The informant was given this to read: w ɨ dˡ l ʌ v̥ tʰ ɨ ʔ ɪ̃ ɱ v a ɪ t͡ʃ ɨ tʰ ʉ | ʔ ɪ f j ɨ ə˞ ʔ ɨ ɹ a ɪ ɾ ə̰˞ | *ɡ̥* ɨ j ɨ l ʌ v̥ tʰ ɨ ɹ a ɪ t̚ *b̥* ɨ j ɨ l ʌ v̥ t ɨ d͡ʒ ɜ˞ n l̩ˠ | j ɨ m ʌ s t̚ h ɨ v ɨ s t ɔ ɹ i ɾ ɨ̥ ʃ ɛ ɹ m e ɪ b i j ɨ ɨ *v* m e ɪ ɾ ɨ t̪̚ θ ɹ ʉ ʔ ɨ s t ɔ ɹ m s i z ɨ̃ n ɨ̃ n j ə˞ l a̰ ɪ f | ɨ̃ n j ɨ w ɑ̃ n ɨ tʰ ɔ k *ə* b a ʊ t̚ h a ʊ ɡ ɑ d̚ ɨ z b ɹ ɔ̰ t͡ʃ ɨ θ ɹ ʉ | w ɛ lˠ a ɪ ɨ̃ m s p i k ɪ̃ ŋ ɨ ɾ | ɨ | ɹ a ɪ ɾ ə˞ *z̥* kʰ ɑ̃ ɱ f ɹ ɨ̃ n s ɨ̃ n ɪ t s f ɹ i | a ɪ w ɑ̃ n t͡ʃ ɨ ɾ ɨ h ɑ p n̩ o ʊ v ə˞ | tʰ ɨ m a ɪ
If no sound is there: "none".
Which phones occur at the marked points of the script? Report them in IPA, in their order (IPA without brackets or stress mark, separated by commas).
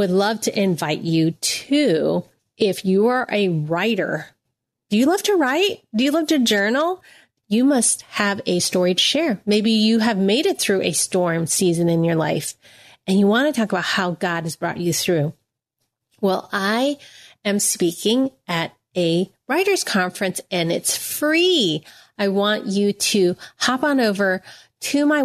d̥, d̥, v, ə, z̥